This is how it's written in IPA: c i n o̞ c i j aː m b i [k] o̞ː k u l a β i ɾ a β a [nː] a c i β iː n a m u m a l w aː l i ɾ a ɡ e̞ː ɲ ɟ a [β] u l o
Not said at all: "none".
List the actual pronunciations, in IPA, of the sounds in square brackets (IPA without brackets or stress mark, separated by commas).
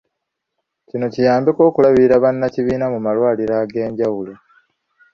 k, nː, w